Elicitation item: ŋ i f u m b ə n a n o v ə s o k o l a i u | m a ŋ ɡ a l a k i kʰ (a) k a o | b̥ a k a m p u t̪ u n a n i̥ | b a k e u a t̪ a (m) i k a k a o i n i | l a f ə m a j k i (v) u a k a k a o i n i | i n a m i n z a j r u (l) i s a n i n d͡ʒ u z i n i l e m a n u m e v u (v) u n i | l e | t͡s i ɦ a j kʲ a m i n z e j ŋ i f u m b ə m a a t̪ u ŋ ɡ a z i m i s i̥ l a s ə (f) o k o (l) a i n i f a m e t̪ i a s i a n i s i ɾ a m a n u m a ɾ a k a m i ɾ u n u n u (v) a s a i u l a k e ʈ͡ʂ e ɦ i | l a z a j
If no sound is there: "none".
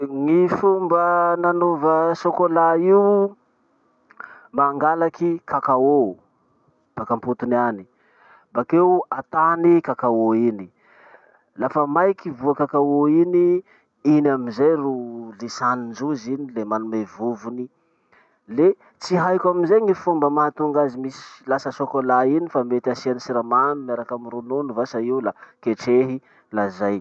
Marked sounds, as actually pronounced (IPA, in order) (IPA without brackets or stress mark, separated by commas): a, n, v, l, v, s, l, v